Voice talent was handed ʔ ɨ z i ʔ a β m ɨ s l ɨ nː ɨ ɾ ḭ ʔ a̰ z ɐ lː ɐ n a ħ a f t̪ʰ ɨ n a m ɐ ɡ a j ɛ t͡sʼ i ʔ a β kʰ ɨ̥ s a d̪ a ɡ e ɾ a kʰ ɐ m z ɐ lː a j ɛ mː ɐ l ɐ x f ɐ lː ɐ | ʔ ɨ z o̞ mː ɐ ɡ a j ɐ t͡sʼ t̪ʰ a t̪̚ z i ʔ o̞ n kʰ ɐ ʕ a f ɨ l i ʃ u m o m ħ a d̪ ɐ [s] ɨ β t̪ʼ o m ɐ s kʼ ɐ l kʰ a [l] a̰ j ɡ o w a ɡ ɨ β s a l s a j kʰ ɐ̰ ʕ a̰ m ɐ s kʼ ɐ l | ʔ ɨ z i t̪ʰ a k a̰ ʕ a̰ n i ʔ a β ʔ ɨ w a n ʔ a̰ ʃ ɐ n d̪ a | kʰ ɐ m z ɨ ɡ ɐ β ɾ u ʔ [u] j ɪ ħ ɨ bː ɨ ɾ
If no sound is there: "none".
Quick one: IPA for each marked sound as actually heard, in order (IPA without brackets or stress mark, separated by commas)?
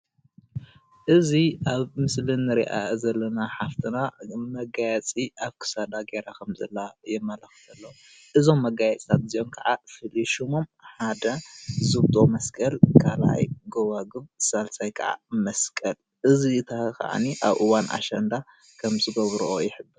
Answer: z, l, o